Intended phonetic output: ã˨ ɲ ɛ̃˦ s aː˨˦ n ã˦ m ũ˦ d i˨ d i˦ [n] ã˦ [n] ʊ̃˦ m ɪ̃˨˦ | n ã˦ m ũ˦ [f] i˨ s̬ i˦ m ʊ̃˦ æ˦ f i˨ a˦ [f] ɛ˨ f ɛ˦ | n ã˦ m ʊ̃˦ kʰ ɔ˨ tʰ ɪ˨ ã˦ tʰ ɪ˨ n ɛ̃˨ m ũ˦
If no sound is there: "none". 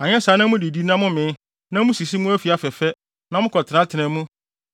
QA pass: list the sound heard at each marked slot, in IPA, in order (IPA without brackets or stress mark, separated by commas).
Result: n, m, s, f